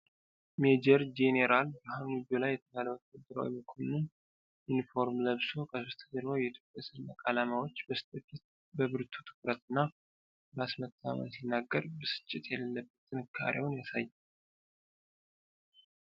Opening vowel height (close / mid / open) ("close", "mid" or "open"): mid